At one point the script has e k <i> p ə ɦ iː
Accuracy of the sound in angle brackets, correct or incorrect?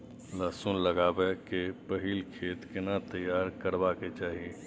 incorrect